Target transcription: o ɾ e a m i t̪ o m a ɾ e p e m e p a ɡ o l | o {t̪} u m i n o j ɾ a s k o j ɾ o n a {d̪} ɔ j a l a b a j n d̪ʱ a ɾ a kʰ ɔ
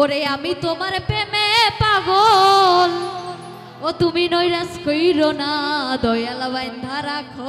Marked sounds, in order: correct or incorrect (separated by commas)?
correct, correct